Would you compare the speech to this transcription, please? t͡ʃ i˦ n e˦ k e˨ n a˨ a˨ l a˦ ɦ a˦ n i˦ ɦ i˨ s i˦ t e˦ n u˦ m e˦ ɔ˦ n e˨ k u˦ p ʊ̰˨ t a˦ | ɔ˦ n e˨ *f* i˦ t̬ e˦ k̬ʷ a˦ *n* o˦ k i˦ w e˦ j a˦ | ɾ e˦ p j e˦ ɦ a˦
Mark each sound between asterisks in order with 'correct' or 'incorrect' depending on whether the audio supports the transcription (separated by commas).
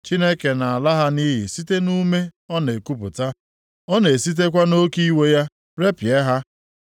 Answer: incorrect, correct